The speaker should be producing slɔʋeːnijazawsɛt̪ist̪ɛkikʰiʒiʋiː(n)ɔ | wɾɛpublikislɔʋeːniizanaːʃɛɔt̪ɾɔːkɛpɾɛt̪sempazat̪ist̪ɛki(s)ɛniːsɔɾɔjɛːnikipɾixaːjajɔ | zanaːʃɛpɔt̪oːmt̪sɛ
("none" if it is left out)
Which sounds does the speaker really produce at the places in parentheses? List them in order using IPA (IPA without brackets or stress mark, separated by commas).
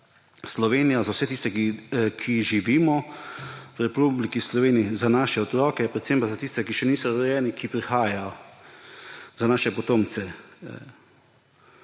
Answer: m, ʃ